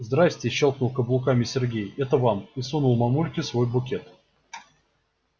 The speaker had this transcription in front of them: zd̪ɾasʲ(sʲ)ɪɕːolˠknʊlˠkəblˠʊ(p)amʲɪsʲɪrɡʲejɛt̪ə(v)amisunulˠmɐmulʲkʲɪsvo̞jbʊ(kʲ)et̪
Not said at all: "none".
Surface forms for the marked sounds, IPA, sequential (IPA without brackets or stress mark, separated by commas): tʲ, k, v, kʲ